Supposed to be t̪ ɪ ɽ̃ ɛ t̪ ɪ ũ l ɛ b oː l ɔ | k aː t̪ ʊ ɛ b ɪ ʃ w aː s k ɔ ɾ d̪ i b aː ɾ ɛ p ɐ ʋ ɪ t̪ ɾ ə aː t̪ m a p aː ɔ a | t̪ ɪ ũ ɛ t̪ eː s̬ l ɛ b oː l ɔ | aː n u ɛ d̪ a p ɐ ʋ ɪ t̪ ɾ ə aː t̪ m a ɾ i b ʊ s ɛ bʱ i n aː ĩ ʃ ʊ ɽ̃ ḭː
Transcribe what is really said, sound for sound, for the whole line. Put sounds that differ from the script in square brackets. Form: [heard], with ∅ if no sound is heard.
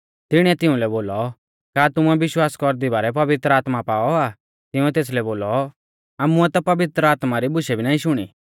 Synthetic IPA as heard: t̪ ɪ ɽ̃ ɛ t̪ ɪ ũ l ɛ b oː l ɔ | k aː t̪ ʊ ɛ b ɪ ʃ w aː s k ɔ ɾ d̪ i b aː ɾ ɛ p ɐ ʋ ɪ t̪ ɾ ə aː t̪ m a p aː ɔ a | t̪ ɪ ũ ɛ t̪ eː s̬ l ɛ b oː l ɔ | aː [m] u ɛ [t̪] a p ɐ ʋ ɪ t̪ ɾ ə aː t̪ m a ɾ i b ʊ [ʃ] ɛ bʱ i n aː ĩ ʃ ʊ ɽ̃ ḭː